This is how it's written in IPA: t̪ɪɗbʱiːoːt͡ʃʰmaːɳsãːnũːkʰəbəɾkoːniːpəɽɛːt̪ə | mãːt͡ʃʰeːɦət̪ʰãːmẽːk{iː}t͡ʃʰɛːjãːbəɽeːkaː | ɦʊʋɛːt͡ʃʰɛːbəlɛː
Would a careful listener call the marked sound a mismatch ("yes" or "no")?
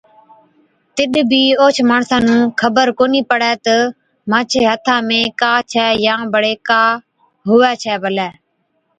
yes